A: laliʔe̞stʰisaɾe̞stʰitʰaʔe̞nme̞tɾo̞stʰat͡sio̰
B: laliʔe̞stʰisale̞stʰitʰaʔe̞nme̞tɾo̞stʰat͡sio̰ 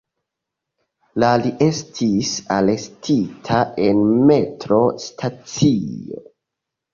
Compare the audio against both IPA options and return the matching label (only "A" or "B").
B